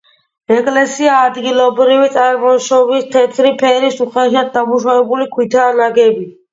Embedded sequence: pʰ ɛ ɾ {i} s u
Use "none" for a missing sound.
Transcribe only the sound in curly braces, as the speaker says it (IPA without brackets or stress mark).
i